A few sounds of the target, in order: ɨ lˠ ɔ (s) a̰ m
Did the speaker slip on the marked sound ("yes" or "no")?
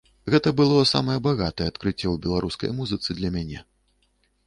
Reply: no